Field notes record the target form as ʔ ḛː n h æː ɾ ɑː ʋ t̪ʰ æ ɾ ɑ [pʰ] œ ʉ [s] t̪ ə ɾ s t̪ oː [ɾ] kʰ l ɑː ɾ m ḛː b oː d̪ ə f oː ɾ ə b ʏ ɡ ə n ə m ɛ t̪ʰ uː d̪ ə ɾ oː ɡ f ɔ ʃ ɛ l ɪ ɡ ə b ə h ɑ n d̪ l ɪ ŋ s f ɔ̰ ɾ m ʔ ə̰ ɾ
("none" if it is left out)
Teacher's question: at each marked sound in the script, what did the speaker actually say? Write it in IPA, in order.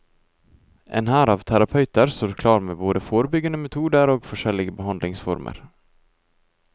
pʰ, none, ɾ

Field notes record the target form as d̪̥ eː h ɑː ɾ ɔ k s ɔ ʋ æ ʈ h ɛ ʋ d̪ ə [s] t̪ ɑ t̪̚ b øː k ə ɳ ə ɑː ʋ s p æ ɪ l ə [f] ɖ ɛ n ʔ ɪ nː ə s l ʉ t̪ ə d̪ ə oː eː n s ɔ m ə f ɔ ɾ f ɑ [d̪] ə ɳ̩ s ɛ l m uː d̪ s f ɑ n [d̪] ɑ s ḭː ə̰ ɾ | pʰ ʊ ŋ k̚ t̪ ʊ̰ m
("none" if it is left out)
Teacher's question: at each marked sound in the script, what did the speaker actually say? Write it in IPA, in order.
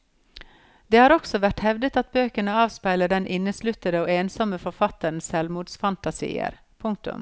none, none, t̪, t̪

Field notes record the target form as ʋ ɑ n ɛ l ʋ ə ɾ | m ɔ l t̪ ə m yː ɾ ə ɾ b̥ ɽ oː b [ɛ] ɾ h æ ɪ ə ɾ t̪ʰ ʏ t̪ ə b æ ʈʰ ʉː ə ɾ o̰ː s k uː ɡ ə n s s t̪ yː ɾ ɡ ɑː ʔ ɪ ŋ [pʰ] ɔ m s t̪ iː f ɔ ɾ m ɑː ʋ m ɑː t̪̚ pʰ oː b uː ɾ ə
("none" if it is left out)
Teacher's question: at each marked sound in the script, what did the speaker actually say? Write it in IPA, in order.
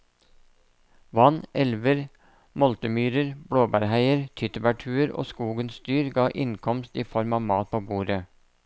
æ, kʰ

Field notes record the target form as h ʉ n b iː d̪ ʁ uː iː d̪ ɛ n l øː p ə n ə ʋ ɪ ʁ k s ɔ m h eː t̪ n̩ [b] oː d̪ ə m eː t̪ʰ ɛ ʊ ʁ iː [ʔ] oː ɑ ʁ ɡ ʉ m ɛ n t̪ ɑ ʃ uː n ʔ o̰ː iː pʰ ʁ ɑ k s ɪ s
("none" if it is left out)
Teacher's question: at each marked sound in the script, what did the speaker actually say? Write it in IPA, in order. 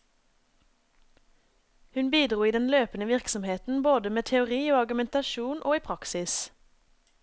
b, none

